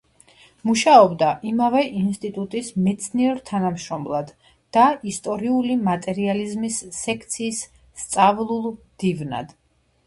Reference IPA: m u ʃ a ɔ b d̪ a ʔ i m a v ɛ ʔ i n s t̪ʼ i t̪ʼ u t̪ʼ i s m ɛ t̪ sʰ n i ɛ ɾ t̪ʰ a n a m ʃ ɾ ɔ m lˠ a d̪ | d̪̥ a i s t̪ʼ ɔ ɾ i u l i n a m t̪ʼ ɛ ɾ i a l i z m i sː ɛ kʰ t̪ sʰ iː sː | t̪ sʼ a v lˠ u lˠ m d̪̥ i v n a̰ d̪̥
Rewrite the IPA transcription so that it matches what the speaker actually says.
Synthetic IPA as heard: m u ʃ a ɔ b d̪ a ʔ i m a v ɛ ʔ i n s t̪ʼ i t̪ʼ u t̪ʼ i s m ɛ t̪ sʰ n i ɛ ɾ t̪ʰ a n a m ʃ ɾ ɔ m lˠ a d̪ | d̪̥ a i s t̪ʼ ɔ ɾ i u l i m a t̪ʼ ɛ ɾ i a l i z m i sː ɛ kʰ t̪ sʰ iː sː | t̪ sʼ a v lˠ u lˠ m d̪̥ i v n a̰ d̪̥